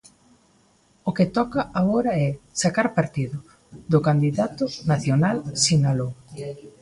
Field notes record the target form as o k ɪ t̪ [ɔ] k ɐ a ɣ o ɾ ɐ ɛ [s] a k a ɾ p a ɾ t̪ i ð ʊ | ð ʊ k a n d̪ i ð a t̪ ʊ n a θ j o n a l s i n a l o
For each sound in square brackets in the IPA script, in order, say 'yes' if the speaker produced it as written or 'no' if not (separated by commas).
yes, yes